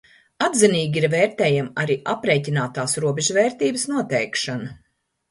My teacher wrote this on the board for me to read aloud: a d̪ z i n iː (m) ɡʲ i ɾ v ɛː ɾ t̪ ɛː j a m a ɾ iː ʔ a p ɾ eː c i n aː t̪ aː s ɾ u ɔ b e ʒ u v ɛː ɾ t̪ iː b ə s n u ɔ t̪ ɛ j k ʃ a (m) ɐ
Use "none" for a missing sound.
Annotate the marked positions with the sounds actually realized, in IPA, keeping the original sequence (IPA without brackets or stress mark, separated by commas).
none, n